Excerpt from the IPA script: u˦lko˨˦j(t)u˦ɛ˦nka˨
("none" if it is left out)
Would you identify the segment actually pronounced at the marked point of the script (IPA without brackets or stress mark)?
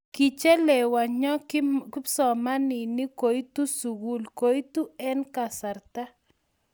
t